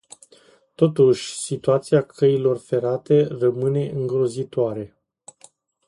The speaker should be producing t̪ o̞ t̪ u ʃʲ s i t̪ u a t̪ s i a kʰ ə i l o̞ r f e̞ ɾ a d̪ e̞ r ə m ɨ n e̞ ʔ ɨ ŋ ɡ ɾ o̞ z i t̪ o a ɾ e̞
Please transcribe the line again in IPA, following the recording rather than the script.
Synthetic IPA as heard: t̪ o̞ t̪ u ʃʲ s i t̪ u a t̪ s i a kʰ ə i l o̞ r f e̞ ɾ a t̪ e̞ r ə m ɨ n e̞ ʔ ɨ ŋ ɡ ɾ o̞ z i t̪ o a ɾ e̞